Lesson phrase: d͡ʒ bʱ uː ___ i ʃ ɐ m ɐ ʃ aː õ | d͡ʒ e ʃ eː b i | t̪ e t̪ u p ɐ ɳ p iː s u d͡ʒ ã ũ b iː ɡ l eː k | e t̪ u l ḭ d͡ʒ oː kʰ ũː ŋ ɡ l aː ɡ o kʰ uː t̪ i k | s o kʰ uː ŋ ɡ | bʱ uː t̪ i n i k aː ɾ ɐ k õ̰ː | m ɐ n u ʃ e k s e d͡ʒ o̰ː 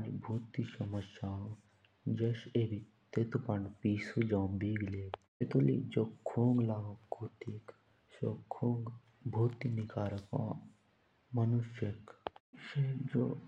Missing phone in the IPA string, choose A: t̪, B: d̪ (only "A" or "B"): A